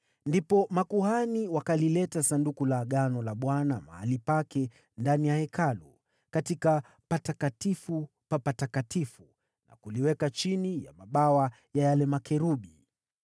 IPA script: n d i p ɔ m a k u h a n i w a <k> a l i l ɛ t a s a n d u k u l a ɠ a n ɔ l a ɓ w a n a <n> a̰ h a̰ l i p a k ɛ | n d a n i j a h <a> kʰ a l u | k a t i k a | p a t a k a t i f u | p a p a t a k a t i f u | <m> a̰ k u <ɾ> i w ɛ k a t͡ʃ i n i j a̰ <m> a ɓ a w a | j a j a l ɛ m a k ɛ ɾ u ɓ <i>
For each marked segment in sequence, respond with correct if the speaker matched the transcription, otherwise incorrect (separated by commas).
correct, incorrect, incorrect, incorrect, incorrect, correct, correct